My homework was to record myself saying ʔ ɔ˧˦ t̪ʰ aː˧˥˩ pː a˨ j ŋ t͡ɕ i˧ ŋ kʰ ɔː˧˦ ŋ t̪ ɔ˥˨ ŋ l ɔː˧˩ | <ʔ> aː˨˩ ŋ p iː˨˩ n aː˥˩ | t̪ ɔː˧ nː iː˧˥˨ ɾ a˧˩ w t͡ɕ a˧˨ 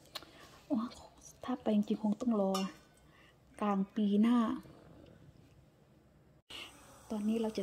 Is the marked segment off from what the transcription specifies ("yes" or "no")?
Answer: yes